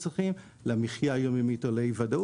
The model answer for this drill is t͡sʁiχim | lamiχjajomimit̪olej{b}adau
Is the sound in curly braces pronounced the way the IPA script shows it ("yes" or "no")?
no